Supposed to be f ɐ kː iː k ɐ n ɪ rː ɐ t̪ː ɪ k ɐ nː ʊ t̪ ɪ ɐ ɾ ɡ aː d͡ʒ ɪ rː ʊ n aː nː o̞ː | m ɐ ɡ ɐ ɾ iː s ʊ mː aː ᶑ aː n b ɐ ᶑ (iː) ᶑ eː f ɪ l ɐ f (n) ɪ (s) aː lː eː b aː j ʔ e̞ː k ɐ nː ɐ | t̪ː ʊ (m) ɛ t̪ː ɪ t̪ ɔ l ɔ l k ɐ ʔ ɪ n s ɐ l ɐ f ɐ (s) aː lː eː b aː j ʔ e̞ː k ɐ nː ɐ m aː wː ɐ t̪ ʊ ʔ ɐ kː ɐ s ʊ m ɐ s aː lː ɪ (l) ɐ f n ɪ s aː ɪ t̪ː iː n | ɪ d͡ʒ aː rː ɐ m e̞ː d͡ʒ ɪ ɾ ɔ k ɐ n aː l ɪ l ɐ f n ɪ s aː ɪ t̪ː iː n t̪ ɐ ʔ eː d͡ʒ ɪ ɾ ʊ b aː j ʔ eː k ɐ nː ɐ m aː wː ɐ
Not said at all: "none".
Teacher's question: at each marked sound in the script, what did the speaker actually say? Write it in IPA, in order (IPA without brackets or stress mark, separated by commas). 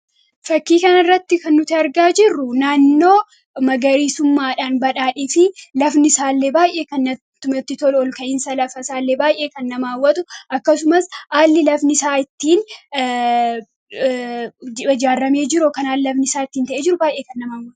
aː, n, s, m, s, l